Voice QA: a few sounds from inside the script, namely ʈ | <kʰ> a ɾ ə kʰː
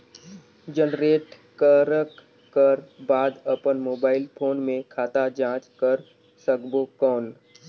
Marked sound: incorrect: k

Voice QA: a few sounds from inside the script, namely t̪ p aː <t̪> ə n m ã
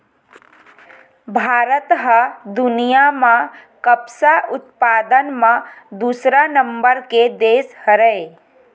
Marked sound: incorrect: d̪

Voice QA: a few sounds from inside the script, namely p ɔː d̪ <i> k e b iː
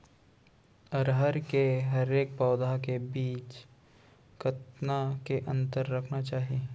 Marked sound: incorrect: a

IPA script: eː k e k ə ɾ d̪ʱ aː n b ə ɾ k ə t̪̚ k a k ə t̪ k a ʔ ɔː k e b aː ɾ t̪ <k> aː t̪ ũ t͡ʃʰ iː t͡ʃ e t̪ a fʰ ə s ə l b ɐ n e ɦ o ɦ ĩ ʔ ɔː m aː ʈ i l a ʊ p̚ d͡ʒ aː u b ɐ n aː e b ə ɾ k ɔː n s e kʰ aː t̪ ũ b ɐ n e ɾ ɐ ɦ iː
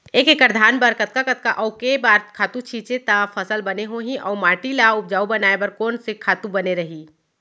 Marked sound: incorrect: kʰ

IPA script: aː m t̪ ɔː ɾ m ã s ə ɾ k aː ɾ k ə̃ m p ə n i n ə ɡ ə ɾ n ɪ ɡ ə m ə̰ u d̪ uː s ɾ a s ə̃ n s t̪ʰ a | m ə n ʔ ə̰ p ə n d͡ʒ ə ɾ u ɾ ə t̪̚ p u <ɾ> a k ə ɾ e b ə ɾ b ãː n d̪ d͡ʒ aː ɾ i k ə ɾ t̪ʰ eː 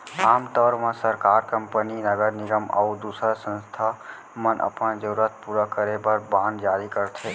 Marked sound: correct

